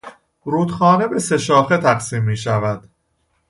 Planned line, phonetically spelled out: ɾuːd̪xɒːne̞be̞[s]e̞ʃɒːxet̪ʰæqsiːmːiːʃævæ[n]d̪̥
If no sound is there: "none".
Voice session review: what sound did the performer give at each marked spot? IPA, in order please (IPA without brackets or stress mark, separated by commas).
s, none